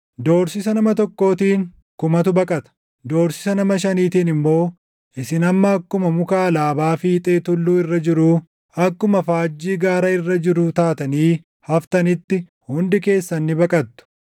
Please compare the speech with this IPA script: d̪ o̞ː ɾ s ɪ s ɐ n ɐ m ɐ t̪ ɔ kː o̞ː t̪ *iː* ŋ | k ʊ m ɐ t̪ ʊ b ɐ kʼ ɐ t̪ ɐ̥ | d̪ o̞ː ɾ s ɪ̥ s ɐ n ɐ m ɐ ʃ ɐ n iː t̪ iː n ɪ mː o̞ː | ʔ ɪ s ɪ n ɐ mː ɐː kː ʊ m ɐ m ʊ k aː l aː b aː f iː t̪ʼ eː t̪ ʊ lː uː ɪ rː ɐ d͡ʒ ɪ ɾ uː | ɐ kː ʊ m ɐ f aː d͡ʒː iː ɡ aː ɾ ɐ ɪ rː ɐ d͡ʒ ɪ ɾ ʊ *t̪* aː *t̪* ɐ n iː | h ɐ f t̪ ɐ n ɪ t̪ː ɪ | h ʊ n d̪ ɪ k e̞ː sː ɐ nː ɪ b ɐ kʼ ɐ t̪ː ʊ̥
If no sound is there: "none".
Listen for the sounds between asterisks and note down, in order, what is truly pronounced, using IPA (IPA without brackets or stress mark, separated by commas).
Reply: iː, t̪, t̪